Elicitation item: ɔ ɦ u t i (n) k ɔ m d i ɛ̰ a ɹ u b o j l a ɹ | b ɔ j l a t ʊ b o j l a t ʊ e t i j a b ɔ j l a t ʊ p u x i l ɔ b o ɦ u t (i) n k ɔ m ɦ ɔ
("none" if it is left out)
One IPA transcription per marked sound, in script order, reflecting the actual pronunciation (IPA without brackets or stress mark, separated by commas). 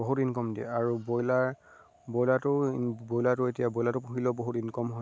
n, i